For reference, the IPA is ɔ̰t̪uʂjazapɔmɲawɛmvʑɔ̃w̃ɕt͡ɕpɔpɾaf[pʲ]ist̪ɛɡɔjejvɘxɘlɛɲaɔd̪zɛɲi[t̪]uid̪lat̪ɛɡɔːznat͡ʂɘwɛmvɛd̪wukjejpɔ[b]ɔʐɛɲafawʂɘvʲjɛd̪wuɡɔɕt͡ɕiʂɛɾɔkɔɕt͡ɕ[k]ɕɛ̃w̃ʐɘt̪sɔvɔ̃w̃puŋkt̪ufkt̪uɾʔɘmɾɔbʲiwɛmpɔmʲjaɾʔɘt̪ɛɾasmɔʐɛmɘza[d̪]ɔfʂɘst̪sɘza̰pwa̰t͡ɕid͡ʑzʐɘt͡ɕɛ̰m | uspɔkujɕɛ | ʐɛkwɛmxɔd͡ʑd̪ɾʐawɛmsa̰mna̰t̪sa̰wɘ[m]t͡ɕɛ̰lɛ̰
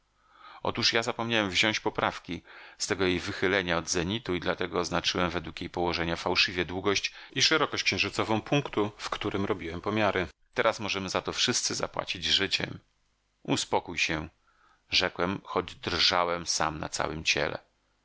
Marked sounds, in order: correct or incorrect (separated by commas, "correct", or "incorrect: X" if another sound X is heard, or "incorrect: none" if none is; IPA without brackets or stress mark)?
incorrect: kʲ, correct, incorrect: w, correct, incorrect: t̪, correct